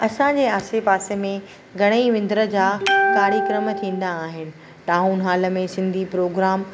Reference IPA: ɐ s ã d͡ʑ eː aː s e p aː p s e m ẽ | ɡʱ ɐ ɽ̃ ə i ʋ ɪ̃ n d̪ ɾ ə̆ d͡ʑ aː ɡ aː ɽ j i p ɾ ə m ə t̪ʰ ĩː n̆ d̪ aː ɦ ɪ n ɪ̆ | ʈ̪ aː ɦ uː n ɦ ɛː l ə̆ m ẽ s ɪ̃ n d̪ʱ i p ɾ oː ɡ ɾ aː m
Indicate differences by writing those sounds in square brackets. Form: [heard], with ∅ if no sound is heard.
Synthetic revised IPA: ɐ s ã d͡ʑ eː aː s e p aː [∅] s e m ẽ | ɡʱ ɐ ɽ̃ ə i ʋ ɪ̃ n d̪ ɾ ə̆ d͡ʑ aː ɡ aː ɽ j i [k] ɾ ə m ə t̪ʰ ĩː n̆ d̪ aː ɦ ɪ n ɪ̆ | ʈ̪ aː ɦ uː n ɦ [aː] l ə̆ m ẽ s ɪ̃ n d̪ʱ i p ɾ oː ɡ ɾ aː m